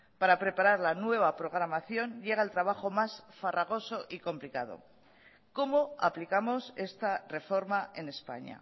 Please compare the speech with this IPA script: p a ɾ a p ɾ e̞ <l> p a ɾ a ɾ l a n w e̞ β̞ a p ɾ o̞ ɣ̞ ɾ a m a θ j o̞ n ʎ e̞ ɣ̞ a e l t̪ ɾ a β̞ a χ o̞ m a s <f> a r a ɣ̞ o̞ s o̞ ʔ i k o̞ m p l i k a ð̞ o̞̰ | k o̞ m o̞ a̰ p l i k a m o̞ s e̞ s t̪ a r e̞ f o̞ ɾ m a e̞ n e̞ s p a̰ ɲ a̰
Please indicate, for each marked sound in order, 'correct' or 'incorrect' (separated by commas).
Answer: incorrect, correct